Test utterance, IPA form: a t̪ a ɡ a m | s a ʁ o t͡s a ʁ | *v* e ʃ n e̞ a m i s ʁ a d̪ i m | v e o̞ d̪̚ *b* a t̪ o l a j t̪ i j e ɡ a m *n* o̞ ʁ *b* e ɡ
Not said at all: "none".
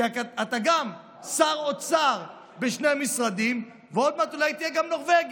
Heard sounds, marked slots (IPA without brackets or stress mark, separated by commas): b, m, n, v